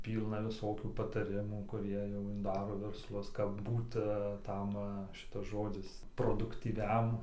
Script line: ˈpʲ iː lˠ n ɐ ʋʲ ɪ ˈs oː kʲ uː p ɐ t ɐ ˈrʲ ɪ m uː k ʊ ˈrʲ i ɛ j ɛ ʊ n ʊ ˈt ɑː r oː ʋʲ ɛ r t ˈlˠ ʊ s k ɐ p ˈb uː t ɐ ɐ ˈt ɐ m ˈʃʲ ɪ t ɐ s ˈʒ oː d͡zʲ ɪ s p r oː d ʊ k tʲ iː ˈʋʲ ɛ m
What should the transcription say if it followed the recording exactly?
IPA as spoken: ˈpʲ iː lˠ n ɐ ʋʲ ɪ ˈs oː kʲ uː p ɐ t ɐ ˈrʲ ɪ m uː k ʊ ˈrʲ i ɛ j ɛ ʊ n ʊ ˈd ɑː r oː ʋʲ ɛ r s ˈlˠ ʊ s k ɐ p ˈb uː t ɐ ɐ ˈt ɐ m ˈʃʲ ɪ t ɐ s ˈʒ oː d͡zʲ ɪ s p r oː d ʊ k tʲ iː ˈʋʲ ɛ m